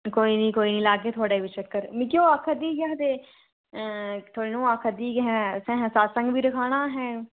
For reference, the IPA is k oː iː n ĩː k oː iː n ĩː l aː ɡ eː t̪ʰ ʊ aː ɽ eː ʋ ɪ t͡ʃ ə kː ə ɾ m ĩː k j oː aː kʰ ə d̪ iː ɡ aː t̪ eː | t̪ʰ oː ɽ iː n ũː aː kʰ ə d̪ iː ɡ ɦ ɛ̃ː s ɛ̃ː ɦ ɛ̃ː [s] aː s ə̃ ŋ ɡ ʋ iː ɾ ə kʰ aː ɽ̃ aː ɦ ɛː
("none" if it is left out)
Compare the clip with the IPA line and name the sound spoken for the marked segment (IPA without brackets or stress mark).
s